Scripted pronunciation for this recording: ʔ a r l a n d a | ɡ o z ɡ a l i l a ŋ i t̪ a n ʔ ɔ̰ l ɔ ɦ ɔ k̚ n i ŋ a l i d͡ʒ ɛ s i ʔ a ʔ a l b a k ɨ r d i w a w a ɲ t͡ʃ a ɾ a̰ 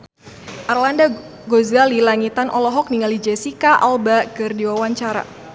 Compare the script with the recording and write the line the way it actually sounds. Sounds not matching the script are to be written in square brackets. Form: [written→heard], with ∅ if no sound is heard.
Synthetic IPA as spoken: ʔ a r l a n d a | ɡ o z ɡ a l i l a ŋ i t̪ a n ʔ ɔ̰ l ɔ ɦ ɔ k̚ n i ŋ a l i d͡ʒ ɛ s i [ʔ→k] a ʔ a l b a k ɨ r d i w a w a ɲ t͡ʃ a ɾ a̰

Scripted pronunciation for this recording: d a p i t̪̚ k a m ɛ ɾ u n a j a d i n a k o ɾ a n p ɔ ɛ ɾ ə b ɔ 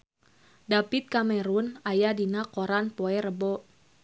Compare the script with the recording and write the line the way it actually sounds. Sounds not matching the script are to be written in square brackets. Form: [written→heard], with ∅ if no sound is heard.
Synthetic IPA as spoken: d a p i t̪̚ k a m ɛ ɾ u n a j a d i n a k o ɾ a n p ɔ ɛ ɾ ə b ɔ

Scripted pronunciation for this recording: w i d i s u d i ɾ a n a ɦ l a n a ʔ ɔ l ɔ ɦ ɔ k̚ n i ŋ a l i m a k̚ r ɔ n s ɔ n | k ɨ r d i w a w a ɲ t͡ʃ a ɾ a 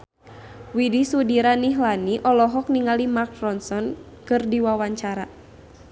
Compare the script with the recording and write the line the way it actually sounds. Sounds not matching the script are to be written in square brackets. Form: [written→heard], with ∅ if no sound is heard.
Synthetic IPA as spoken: w i d i s u d i ɾ a n [a→i] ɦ l a n [a→i] ʔ ɔ l ɔ ɦ ɔ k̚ n i ŋ a l i m a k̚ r ɔ n s ɔ n | k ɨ r d i w a w a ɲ t͡ʃ a ɾ a

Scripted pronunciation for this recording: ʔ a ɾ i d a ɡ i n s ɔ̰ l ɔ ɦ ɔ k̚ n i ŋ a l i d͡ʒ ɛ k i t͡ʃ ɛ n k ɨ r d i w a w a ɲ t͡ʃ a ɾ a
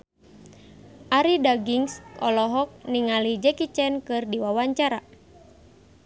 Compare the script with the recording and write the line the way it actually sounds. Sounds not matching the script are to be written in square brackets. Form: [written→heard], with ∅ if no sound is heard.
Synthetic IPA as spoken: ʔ a ɾ i d a ɡ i [n→ŋ] s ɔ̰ l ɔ ɦ ɔ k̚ n i ŋ a l i d͡ʒ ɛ k i t͡ʃ ɛ n k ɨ r d i w a w a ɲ t͡ʃ a ɾ a

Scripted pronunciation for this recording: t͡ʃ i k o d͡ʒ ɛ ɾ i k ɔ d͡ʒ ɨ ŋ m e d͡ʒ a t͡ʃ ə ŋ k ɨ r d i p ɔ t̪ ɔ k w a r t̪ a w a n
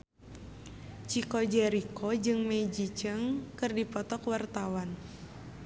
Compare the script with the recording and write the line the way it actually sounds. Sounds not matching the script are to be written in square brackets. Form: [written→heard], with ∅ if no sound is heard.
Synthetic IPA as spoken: t͡ʃ i k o d͡ʒ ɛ ɾ i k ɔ d͡ʒ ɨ ŋ m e d͡ʒ [a→i] t͡ʃ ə ŋ k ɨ r d i p ɔ t̪ ɔ k w a r t̪ a w a n

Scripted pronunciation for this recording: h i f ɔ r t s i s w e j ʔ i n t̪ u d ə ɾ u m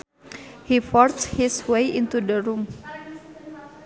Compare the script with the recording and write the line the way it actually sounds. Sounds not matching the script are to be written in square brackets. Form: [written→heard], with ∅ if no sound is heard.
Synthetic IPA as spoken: h i f ɔ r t [s→h] i s w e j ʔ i n t̪ u d ə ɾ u m

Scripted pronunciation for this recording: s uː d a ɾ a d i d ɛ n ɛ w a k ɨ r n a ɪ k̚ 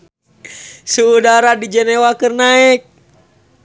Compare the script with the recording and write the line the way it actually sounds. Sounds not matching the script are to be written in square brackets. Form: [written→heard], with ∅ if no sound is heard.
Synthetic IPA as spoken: s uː d a ɾ a d i [d→d͡ʒ] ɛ n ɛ w a k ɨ r n a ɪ k̚

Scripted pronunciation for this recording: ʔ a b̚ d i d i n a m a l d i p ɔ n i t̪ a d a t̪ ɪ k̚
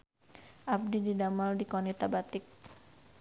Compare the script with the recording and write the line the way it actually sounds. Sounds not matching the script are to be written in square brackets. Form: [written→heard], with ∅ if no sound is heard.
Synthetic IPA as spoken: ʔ a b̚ d i d i [n→d] a m a l d i [p→k] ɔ n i t̪ a [d→b] a t̪ ɪ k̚

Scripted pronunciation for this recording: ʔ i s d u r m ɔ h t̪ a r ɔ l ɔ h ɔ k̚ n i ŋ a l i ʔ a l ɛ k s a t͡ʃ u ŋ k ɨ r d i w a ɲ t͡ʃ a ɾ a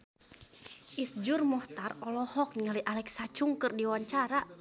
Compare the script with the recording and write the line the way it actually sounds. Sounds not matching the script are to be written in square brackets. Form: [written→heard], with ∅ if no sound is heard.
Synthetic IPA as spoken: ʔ i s [d→d͡ʒ] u r m ɔ h t̪ a r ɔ l ɔ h ɔ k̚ n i ŋ a l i ʔ a l ɛ k s a t͡ʃ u ŋ k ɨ r d i w a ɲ t͡ʃ a ɾ a

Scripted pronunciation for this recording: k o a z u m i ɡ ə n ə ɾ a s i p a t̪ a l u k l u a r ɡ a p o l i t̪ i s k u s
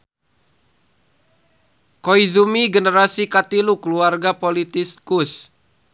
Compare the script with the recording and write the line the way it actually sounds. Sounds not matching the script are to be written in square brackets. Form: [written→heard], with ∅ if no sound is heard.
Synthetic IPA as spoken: k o [a→i] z u m i ɡ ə n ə ɾ a s i [p→k] a t̪ [a→i] l u k l u a r ɡ a p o l i t̪ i s k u s

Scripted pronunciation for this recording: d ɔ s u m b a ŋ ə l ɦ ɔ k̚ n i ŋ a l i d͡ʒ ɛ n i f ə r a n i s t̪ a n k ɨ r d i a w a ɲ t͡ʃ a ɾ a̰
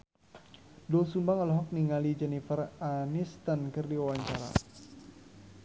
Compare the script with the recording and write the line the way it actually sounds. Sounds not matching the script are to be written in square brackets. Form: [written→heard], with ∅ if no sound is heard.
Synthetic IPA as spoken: d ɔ s u m b a ŋ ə l ɦ ɔ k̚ n i ŋ a l i d͡ʒ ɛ n i f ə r a n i s t̪ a n k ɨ r d i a w a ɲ t͡ʃ a ɾ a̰

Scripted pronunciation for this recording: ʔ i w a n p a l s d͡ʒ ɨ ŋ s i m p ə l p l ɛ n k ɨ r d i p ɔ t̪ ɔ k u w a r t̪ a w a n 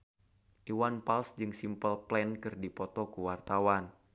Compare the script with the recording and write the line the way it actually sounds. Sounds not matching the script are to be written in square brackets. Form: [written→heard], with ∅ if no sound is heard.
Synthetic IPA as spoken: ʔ i w a n p a l s d͡ʒ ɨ ŋ s i m p ə l p l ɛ n k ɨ r d i p ɔ t̪ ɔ k u w a r t̪ a w a n

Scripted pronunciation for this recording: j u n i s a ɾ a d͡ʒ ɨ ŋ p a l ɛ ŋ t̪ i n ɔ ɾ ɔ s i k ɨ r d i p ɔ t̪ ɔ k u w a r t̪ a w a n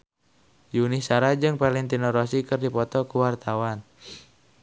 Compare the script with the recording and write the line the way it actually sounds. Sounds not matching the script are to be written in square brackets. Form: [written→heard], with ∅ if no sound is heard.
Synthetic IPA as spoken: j u n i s a ɾ a d͡ʒ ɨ ŋ p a l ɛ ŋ t̪ i n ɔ ɾ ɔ s i k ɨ r d i p ɔ t̪ ɔ k u w a r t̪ a w a n

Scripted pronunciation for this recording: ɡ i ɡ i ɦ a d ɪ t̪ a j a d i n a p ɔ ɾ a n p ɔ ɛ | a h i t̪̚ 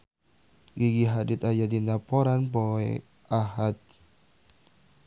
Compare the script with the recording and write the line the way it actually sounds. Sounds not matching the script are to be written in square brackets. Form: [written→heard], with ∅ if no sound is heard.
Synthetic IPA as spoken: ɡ i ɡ i ɦ a d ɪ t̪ a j a d i n a p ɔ ɾ a n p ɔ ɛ | a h [i→a] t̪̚

